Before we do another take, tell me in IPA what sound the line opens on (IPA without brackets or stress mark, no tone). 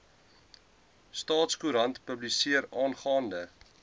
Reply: s